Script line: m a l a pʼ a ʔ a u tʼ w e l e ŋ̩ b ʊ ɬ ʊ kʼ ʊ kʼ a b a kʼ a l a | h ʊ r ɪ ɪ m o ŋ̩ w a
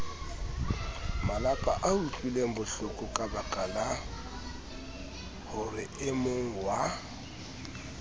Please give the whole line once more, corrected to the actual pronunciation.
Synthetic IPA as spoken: m a l a pʼ a ʔ a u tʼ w i l e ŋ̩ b ʊ ɬ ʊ kʼ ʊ kʼ a b a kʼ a l a | h ʊ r ɪ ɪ m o ŋ̩ w a